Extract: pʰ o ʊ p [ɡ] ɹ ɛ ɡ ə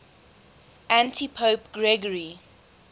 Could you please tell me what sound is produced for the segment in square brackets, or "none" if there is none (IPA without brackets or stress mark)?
ɡ